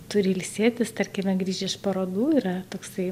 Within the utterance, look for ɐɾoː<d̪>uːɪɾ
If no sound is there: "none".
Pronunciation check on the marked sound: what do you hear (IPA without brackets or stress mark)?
d̪